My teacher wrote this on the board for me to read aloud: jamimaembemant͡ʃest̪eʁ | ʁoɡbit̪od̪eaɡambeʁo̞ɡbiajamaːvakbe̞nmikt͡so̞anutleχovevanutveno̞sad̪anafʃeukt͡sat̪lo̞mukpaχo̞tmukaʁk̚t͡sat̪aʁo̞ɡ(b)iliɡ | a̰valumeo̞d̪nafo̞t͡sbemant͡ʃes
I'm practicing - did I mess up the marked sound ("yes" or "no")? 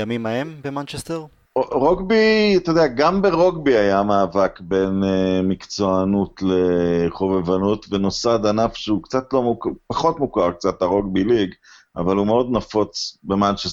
no